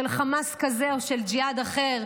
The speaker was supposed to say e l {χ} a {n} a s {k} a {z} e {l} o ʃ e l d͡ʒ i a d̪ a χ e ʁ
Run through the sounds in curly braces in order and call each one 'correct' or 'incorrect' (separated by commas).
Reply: correct, incorrect, correct, correct, incorrect